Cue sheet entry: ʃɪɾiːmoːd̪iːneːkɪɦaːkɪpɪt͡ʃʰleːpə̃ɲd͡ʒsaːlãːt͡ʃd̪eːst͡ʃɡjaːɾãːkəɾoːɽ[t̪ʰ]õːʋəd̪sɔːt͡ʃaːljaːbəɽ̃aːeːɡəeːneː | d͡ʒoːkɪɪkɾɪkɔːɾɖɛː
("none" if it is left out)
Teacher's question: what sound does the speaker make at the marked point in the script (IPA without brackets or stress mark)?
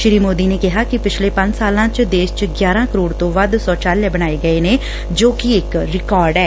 t̪